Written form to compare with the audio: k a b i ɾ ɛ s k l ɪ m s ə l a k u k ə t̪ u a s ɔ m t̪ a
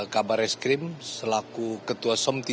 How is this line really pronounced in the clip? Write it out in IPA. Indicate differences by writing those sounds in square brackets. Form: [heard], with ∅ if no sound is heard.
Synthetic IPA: k a b [a] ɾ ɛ s k [ɾ] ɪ m s ə l a k u k ə t̪ u a s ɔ m t̪ [i]